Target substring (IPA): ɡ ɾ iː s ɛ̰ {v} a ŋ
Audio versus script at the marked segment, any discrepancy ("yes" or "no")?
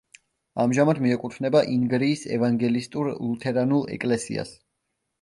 no